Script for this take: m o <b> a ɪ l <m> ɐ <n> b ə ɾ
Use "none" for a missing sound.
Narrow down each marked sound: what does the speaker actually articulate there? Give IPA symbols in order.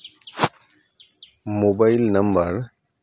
b, n, m

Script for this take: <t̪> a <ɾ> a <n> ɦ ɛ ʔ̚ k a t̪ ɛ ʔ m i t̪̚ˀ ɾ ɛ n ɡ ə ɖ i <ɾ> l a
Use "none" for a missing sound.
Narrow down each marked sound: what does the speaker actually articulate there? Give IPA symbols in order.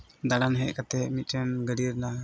d̪, ɽ, n, ɾ

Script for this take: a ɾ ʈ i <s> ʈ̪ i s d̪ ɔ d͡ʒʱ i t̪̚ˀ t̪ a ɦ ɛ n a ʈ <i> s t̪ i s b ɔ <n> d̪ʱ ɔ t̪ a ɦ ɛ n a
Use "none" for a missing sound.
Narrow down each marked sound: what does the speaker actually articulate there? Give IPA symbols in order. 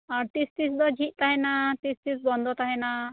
s, i, n

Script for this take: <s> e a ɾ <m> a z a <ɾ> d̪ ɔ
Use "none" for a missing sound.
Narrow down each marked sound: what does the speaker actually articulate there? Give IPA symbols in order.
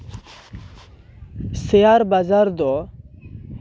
s, b, ɾ

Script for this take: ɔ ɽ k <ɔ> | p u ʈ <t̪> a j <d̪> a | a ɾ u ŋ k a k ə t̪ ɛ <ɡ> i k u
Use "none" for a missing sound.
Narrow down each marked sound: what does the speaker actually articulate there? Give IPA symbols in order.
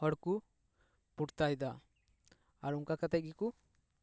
u, t̪, d̪, ɡ

